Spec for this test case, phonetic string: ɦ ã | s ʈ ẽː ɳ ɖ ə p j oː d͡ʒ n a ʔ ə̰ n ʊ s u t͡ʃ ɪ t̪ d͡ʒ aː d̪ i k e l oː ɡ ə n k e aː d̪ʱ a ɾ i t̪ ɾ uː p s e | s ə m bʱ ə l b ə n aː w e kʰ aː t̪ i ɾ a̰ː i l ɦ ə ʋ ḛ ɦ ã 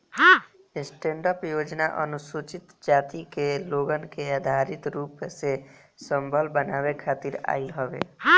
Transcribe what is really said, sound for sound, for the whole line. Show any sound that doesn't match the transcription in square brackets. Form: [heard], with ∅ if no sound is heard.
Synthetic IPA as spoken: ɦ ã | s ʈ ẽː ɳ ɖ ə p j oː d͡ʒ n a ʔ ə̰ n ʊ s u t͡ʃ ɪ t̪ d͡ʒ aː [t̪] i k e l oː ɡ ə n k e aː d̪ʱ a ɾ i t̪ ɾ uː p s e | s ə m bʱ ə l b ə n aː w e kʰ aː t̪ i ɾ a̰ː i l ɦ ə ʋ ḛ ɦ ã